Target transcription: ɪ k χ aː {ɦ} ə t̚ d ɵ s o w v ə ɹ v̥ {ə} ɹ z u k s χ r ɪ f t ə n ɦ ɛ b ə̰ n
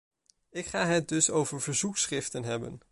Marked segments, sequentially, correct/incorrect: correct, correct

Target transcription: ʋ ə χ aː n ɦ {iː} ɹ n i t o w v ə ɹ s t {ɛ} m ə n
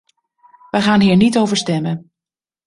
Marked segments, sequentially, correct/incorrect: correct, correct

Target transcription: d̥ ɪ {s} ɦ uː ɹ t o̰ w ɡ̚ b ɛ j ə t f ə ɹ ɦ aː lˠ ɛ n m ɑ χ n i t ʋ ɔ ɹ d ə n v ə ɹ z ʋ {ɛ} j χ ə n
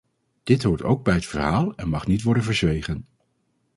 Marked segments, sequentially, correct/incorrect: incorrect, incorrect

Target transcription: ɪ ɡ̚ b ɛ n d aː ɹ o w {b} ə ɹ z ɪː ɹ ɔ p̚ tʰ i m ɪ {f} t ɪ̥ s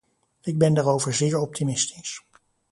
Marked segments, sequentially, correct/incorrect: incorrect, incorrect

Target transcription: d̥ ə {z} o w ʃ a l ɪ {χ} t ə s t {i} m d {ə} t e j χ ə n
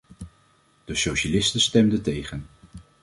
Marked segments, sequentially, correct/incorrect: incorrect, incorrect, incorrect, correct

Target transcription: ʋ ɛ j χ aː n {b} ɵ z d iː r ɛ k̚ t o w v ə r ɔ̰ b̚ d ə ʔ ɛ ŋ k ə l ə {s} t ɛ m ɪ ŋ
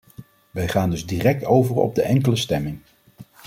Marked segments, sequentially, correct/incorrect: incorrect, correct

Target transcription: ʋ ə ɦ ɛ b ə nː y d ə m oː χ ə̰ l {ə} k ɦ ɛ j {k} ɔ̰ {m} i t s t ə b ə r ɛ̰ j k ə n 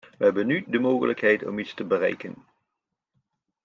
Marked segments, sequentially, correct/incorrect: correct, incorrect, correct

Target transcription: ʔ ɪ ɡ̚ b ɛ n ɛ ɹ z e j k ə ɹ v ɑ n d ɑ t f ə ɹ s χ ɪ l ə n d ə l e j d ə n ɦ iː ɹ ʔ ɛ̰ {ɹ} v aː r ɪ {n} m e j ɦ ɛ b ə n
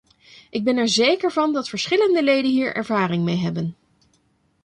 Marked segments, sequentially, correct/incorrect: correct, incorrect

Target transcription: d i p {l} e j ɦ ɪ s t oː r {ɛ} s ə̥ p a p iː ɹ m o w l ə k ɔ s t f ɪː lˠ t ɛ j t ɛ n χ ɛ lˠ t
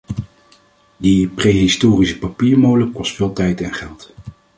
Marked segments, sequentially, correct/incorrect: incorrect, incorrect

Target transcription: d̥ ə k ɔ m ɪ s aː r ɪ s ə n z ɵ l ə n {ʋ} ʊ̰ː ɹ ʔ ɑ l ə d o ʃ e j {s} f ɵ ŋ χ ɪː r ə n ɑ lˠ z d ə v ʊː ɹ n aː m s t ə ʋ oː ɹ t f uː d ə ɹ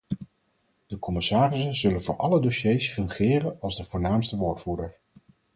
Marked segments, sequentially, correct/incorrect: incorrect, correct

